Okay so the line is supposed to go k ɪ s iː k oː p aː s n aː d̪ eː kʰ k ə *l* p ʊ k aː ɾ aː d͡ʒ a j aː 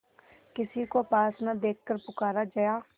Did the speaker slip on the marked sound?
yes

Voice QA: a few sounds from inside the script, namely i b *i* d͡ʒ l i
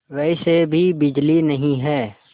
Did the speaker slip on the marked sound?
yes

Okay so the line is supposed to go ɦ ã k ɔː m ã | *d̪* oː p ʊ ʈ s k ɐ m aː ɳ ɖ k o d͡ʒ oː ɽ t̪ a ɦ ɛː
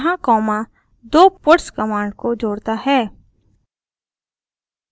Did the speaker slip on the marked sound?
no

